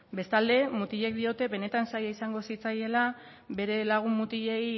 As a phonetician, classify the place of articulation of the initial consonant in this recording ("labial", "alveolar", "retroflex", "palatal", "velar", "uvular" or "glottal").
labial